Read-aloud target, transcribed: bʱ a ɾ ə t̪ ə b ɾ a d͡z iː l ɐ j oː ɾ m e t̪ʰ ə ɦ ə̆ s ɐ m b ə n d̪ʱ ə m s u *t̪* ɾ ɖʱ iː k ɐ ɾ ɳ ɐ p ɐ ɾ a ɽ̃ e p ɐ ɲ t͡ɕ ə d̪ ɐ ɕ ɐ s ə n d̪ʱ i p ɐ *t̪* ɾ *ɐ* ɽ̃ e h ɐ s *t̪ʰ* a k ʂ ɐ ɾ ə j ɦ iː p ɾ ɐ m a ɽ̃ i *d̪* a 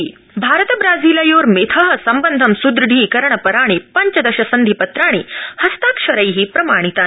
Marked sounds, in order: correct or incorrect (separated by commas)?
incorrect, correct, incorrect, incorrect, incorrect